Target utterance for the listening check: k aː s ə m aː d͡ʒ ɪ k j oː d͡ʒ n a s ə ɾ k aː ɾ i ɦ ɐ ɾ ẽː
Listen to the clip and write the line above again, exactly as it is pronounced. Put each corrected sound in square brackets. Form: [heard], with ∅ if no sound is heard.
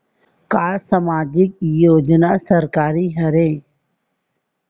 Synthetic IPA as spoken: k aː s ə m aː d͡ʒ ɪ k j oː d͡ʒ n a s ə ɾ k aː ɾ i ɦ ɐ ɾ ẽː